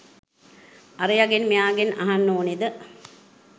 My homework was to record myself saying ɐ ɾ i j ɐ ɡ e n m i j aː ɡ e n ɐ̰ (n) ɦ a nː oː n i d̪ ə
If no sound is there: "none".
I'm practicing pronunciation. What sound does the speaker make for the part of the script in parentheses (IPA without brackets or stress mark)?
none